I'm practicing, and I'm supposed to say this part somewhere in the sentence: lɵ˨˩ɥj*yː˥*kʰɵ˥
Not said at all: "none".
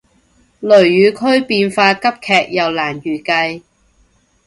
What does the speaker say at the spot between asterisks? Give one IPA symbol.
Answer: yː˨˧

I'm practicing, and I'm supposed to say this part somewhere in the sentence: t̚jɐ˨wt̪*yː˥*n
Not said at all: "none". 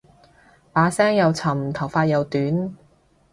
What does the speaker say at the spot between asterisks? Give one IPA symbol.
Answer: yː˨˥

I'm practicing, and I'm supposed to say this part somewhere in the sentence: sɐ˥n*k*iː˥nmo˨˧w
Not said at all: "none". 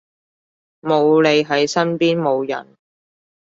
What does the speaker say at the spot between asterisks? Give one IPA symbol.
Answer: p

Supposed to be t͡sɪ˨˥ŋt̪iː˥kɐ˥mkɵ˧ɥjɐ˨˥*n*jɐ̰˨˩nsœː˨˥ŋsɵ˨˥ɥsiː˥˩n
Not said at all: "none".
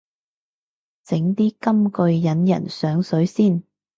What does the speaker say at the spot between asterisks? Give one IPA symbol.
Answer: n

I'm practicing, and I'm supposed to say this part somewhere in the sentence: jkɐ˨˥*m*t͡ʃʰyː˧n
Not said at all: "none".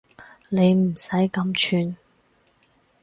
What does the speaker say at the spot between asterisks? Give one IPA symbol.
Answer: m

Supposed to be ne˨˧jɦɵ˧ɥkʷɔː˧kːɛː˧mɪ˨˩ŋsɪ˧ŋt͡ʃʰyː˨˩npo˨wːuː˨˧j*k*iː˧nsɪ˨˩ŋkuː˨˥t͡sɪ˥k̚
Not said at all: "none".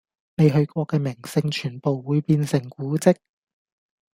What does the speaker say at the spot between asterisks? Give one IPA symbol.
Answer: p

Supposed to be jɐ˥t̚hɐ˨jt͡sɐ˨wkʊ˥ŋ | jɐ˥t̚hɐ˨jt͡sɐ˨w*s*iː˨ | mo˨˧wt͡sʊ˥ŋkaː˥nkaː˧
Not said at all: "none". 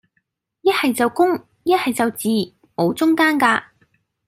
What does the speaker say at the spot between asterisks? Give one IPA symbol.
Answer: t͡s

